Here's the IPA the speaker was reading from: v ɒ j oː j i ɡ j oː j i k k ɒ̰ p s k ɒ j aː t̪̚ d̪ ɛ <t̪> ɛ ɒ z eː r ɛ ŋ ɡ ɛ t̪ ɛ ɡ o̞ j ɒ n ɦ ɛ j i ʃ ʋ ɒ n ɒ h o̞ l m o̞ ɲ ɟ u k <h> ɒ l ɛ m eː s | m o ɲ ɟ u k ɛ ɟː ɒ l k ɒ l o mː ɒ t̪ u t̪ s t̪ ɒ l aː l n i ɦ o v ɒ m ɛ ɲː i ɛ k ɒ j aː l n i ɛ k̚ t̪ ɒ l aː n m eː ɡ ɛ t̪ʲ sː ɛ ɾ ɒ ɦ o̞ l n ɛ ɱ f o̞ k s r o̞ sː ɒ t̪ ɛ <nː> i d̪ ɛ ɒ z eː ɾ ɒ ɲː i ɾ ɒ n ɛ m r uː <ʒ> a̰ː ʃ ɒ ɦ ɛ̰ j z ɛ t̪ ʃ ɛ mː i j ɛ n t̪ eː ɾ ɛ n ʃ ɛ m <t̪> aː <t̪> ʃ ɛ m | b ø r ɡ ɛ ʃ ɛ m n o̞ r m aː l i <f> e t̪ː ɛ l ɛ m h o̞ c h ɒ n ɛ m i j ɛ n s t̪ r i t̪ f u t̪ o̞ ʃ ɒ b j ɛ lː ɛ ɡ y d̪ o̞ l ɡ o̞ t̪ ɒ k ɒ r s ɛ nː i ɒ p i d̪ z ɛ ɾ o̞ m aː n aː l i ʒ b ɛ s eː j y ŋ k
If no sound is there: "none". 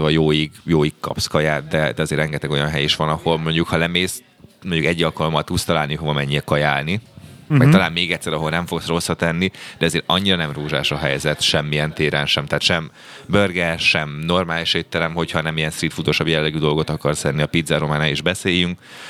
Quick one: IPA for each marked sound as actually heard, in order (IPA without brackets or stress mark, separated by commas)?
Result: d̪, h, nː, ʒ, t̪, t̪, ʃ